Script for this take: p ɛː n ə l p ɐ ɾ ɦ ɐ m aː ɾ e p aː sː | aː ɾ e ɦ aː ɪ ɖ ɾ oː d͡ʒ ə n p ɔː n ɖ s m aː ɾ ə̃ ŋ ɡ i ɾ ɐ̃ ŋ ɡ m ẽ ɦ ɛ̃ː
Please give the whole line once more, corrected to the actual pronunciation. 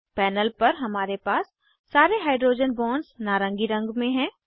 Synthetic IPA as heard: p ɛː n ə l p ɐ ɾ ɦ ɐ m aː ɾ e p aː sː | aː ɾ e ɦ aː ɪ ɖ ɾ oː d͡ʒ ə n b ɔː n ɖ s n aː ɾ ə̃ ŋ ɡ i ɾ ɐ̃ ŋ ɡ m ẽ ɦ ɛ̃ː